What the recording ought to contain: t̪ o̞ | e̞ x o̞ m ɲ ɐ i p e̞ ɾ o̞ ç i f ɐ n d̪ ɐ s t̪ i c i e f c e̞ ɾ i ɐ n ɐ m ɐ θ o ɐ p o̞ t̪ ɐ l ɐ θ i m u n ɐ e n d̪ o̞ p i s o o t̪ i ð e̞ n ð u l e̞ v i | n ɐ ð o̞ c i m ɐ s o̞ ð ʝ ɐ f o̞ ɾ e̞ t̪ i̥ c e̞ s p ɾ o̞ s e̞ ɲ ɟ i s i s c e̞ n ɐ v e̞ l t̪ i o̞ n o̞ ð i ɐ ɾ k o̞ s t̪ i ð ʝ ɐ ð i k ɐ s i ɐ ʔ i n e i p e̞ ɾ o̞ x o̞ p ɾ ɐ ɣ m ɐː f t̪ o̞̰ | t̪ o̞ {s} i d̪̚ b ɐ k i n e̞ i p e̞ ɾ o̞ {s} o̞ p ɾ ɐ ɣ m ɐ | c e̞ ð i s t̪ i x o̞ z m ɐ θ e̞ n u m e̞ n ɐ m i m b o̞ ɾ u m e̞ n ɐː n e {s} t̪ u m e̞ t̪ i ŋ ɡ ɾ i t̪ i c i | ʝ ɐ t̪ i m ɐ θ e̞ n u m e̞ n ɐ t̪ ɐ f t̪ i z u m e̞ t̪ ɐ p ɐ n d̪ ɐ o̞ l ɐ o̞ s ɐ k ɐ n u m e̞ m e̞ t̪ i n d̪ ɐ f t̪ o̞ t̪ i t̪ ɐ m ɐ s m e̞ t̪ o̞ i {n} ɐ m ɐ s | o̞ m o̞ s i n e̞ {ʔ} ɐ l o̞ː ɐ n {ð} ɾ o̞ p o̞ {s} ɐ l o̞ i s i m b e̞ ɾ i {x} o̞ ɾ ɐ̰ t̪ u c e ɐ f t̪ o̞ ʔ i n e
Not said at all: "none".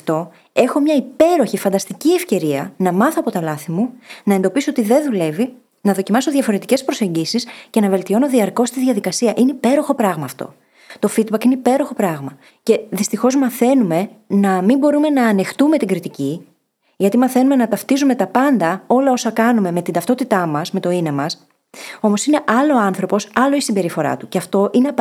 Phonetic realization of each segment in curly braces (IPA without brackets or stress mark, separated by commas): f, x, x, n, ʔ, θ, s, f